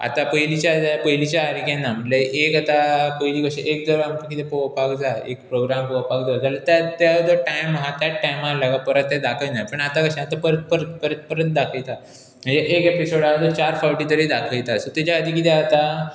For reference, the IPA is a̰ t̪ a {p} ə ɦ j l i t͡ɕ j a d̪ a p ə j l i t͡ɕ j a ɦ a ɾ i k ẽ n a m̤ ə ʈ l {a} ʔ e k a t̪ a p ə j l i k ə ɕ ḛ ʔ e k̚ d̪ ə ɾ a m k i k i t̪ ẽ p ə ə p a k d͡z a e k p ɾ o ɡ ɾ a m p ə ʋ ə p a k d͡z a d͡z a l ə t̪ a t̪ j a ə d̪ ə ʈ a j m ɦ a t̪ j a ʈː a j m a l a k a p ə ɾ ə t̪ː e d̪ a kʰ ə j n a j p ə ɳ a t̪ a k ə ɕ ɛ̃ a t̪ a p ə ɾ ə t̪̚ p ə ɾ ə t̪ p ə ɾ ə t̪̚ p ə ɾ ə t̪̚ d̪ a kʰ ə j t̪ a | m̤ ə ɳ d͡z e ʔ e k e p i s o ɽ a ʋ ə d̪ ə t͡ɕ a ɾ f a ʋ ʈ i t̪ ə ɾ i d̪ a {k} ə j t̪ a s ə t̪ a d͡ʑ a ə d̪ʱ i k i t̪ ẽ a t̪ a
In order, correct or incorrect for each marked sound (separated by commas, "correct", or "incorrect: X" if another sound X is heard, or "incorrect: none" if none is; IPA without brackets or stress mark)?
correct, incorrect: e, incorrect: kʰ